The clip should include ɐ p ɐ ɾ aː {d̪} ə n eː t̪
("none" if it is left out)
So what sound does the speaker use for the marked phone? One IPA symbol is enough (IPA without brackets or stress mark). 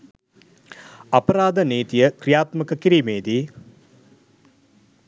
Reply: d̪